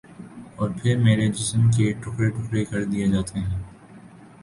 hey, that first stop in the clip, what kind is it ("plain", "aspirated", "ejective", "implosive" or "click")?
aspirated